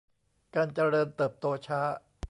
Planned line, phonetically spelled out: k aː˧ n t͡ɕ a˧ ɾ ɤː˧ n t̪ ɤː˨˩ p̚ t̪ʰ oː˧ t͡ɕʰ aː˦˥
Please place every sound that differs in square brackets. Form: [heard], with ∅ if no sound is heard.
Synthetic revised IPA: k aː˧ n t͡ɕ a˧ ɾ ɤː˧ n t̪ ɤː˨˩ p̚ [t̪] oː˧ t͡ɕʰ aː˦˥